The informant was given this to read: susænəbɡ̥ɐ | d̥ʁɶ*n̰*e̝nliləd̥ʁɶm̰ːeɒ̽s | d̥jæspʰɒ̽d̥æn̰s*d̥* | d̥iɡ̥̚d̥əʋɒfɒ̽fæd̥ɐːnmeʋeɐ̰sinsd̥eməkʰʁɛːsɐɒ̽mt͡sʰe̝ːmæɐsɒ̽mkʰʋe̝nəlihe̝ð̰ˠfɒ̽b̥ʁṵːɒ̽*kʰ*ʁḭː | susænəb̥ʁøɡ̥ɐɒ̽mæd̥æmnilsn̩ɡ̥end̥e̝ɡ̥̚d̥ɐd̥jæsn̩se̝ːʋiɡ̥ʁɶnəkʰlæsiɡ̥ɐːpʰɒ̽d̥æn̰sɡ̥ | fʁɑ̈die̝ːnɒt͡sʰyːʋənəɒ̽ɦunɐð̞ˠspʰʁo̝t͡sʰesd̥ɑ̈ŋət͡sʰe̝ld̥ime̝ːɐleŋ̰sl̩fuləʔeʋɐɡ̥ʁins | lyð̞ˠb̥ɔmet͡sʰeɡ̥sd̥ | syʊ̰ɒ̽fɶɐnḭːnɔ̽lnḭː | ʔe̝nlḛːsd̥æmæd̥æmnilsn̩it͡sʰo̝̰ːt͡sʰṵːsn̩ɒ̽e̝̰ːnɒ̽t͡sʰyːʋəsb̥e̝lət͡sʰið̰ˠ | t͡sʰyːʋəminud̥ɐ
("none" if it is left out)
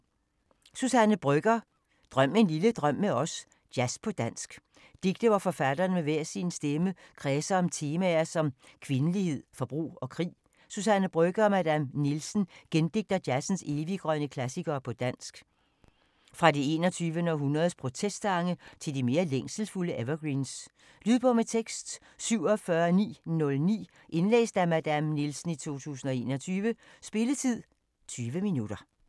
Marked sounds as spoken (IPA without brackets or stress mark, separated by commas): m̰, ɡ̥, kʰ